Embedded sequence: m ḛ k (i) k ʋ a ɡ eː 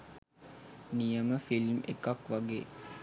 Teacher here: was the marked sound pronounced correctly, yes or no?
no